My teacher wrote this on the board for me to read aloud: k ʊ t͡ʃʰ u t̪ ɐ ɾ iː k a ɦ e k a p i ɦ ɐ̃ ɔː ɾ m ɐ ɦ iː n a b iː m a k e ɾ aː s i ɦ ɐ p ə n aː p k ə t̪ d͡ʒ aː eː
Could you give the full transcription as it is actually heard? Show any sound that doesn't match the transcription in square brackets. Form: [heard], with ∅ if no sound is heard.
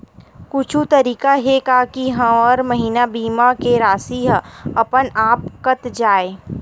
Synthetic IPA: k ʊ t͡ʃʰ u t̪ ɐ ɾ iː k a ɦ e k a [k] i ɦ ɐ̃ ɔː ɾ m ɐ ɦ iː n a b iː m a k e ɾ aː s i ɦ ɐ p ə n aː p k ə t̪ d͡ʒ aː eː